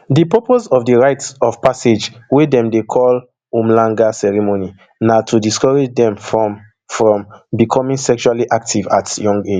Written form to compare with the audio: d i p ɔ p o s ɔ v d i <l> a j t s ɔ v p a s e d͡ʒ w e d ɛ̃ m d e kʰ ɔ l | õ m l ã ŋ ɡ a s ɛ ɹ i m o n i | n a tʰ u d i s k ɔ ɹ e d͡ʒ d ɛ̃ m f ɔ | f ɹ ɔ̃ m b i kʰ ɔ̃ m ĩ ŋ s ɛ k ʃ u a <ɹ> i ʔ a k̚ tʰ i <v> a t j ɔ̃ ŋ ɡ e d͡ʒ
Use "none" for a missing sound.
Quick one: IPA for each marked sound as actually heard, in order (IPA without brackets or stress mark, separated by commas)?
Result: ɹ, l, v